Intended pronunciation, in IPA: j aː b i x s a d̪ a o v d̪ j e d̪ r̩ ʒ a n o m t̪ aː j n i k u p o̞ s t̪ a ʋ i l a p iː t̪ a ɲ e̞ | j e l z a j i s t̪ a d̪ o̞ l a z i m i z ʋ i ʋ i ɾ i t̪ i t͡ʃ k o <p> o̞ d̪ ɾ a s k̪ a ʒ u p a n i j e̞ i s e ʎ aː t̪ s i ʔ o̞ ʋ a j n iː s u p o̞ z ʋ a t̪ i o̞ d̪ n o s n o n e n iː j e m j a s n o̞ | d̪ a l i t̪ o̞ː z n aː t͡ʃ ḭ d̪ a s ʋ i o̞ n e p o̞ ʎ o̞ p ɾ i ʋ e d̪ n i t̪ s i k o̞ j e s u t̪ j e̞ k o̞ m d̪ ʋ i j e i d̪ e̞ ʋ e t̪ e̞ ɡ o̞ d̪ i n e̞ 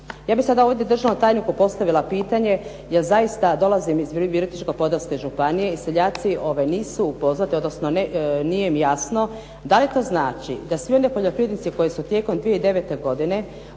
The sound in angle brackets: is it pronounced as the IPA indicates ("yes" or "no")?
yes